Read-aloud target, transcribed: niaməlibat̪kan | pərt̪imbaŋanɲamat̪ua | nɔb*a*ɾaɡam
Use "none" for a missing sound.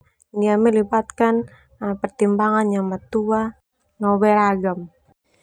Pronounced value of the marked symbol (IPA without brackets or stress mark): ɛ